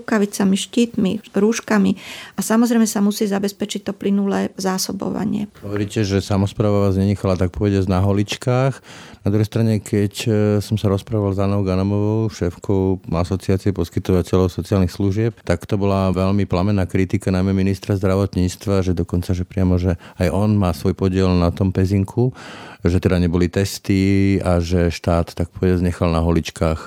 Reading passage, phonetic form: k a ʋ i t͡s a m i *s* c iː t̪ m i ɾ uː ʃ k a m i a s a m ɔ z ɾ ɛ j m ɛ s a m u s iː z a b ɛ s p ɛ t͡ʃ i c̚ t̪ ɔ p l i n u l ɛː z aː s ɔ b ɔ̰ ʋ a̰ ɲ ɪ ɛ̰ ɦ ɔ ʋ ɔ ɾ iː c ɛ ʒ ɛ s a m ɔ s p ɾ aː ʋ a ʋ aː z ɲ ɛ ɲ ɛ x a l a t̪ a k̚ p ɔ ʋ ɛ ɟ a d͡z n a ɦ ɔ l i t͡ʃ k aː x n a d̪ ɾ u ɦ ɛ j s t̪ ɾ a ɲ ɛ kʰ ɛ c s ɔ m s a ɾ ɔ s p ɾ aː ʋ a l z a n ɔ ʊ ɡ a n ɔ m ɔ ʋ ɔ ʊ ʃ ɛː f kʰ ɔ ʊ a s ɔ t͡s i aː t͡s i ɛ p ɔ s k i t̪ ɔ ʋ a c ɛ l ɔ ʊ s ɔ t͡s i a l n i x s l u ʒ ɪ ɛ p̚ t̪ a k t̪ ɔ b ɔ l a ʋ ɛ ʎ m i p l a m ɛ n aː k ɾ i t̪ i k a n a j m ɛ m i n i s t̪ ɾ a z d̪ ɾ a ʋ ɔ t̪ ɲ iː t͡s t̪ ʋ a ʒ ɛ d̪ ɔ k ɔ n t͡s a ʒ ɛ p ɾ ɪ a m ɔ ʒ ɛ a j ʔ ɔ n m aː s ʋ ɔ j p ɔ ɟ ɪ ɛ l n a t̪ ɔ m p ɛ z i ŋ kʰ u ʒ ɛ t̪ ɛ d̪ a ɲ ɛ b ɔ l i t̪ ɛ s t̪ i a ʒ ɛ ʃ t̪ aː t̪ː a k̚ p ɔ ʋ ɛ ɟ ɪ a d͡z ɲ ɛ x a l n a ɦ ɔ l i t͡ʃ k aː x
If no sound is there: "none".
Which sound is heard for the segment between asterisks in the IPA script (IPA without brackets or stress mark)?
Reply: ʃ